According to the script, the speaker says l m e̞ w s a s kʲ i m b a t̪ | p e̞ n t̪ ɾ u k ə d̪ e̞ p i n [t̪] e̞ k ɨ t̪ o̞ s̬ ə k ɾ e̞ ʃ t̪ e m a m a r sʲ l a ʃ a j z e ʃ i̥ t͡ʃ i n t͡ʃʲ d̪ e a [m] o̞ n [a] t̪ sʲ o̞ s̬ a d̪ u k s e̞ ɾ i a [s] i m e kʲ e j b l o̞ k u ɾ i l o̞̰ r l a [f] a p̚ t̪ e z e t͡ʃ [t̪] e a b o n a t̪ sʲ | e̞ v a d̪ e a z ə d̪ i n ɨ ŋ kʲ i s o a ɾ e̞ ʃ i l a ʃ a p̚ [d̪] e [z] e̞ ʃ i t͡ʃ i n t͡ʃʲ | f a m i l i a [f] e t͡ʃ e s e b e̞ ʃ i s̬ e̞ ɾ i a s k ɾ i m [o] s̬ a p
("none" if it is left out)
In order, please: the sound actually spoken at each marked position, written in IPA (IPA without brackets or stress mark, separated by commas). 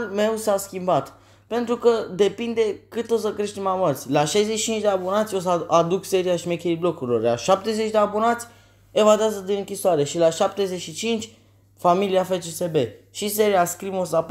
d̪, b, a, ʃ, ʃ, d̪, t̪, z, f, o